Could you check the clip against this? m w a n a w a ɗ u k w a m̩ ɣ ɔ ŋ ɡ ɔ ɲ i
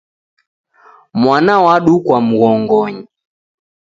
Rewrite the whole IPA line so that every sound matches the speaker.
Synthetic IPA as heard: m w a n a w a ɗ u k w a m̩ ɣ ɔ ŋ ɡ ɔ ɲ i